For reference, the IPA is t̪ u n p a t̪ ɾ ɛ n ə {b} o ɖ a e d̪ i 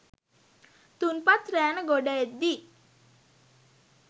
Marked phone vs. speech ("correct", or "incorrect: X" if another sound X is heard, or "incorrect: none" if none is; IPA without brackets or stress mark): incorrect: ɡ